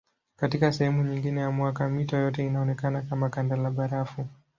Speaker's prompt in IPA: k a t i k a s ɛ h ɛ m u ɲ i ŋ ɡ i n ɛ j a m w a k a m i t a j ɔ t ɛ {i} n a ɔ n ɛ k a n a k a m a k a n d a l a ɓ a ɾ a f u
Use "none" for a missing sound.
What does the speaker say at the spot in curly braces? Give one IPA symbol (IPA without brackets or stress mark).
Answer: i